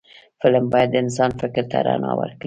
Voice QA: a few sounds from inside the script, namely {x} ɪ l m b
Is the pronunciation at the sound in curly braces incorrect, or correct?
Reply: incorrect